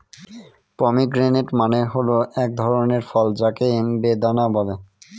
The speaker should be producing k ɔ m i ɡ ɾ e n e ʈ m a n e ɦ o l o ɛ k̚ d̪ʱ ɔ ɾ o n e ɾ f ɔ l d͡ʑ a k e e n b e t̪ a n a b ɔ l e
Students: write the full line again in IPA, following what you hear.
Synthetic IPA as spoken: p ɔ m i ɡ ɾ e n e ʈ m a n e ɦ o l o ɛ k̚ d̪ʱ ɔ ɾ o n e ɾ f ɔ l d͡ʑ a k e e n b e d̪ a n a b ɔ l e